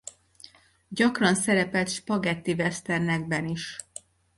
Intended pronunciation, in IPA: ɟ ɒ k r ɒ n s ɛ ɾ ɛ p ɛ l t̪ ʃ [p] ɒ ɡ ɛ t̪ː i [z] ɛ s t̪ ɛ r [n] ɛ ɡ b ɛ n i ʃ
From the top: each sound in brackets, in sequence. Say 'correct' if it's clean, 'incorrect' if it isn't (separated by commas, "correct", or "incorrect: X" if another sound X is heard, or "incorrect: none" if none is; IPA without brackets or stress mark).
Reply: correct, incorrect: v, correct